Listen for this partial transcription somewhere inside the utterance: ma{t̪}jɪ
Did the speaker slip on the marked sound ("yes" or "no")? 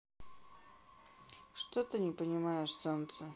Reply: yes